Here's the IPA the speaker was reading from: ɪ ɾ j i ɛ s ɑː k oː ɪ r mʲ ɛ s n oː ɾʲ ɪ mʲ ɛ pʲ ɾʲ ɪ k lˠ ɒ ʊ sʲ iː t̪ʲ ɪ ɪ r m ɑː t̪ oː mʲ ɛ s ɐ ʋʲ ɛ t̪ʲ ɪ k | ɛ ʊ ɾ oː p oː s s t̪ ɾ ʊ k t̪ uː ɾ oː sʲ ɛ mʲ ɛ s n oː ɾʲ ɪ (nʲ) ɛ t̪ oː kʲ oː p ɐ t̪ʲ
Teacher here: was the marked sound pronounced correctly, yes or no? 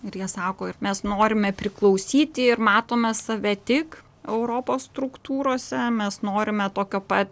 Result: no